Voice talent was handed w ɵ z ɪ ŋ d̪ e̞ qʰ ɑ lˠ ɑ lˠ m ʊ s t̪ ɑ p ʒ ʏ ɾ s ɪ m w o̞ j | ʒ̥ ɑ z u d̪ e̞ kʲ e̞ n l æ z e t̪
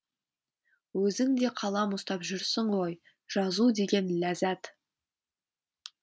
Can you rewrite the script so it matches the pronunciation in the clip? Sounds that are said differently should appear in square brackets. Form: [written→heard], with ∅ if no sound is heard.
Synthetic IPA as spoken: w ɵ z ɪ ŋ d̪ e̞ qʰ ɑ lˠ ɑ [lˠ→∅] m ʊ s t̪ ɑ p ʒ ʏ ɾ s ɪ [m→ɴ] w o̞ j | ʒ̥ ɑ z u d̪ e̞ [kʲ→ɡʲ] e̞ n l æ z [e→æ] t̪